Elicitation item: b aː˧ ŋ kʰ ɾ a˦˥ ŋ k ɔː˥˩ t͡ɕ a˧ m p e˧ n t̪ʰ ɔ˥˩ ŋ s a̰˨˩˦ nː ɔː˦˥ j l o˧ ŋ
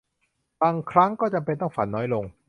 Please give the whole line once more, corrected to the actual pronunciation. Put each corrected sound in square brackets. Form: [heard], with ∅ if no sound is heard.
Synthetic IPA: b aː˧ ŋ kʰ ɾ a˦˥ ŋ k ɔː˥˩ t͡ɕ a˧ m p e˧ n [t̪] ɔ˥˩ ŋ [f] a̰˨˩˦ nː ɔː˦˥ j l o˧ ŋ